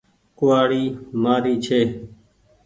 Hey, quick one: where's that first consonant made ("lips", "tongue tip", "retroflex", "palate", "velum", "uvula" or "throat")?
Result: velum